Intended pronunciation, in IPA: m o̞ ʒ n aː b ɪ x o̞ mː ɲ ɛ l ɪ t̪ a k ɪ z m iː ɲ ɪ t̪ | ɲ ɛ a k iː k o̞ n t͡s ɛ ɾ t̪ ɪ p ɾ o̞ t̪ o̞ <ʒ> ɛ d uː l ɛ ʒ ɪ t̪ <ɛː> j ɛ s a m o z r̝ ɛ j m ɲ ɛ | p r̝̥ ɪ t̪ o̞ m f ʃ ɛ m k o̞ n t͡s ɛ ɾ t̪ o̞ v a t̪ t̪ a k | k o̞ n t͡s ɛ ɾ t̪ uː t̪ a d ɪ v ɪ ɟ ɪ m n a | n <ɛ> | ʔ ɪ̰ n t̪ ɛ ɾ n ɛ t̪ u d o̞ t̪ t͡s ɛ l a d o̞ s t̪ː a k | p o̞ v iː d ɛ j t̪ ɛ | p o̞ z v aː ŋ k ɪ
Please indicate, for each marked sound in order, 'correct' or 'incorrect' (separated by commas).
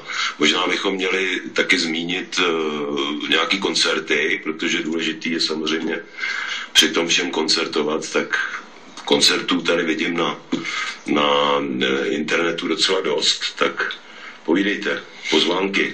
correct, incorrect, incorrect